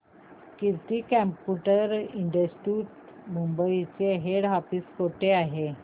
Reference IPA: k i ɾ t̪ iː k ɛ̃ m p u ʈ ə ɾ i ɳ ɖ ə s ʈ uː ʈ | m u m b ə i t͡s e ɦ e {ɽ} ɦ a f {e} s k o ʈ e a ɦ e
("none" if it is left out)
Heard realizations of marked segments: ɽ, i

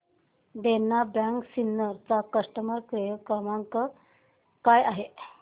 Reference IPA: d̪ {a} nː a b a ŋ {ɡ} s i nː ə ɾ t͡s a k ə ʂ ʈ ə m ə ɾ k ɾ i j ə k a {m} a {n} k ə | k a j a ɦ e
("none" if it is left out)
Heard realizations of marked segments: e, k, m, ŋ

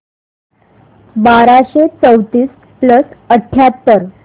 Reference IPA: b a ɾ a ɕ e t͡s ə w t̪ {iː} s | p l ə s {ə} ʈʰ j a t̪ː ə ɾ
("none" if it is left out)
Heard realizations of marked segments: iː, ə

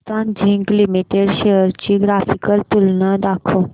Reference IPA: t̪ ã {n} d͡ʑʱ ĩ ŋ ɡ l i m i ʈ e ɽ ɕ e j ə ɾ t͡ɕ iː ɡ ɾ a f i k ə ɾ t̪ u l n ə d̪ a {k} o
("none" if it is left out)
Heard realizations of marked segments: n, kʰ

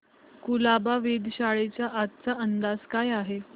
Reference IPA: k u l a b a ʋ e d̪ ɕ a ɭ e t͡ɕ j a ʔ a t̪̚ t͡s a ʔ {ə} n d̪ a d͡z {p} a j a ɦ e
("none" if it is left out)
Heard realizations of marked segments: ə, k

